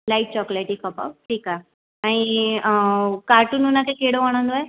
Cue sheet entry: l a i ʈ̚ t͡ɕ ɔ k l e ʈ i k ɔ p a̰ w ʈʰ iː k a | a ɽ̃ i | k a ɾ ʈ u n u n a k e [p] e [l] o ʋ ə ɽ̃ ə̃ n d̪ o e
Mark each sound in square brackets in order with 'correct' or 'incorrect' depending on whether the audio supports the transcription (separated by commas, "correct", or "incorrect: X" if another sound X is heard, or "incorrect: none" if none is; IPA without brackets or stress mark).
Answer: incorrect: k, incorrect: ɽ